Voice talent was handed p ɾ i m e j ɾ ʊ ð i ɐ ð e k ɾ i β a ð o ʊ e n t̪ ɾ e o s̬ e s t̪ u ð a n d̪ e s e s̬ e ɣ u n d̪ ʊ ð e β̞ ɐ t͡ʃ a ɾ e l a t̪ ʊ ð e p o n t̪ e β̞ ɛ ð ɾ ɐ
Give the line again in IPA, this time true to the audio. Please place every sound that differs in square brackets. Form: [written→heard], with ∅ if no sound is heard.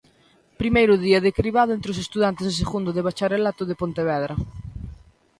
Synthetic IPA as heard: p ɾ i m e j ɾ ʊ ð i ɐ ð e k ɾ i β a ð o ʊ e n t̪ ɾ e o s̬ e s t̪ u ð a n [d̪→t̪] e s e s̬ e ɣ u n d̪ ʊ ð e β̞ [ɐ→a] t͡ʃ a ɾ e l a t̪ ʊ ð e p o n t̪ e β̞ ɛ ð ɾ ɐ